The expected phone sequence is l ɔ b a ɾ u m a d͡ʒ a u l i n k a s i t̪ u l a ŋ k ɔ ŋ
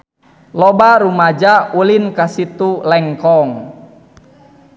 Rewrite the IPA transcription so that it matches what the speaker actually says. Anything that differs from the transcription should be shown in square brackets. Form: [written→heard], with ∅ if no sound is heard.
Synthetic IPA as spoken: l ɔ b a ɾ u m a d͡ʒ a u l i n k a s i t̪ u l [a→ɛ] ŋ k ɔ ŋ